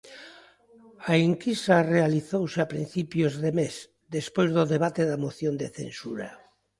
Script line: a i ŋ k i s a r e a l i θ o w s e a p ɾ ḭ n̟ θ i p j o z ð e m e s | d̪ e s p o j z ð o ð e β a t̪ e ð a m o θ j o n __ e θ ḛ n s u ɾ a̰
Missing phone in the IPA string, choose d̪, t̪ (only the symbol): d̪